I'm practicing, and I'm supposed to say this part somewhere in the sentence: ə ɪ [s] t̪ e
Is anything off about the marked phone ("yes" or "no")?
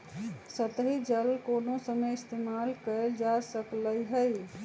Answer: no